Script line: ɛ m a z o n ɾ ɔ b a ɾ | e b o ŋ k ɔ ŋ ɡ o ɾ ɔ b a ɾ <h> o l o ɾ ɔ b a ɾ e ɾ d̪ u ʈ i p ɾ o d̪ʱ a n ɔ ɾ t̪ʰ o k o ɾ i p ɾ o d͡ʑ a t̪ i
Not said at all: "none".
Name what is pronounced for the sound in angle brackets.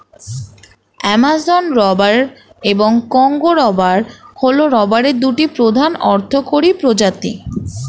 h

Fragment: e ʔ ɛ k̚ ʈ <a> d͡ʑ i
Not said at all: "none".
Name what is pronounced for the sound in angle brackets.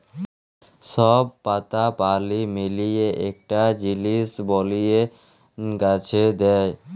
a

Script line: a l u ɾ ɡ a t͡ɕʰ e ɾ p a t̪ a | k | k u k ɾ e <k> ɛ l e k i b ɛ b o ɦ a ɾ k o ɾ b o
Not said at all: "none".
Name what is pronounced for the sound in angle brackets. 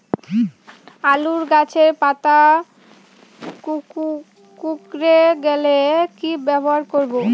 ɡ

